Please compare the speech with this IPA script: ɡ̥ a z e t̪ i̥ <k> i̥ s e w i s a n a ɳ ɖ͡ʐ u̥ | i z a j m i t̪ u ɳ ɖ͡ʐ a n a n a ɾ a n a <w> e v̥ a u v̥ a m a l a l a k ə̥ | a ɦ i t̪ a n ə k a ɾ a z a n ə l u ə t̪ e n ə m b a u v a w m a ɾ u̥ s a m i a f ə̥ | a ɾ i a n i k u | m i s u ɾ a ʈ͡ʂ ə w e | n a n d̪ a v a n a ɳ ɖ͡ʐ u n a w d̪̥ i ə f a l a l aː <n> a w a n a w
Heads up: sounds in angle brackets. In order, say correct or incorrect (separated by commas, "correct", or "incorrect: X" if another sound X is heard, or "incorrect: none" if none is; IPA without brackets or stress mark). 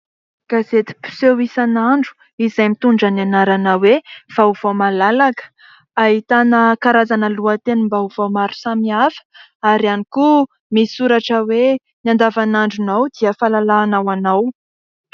incorrect: p, correct, correct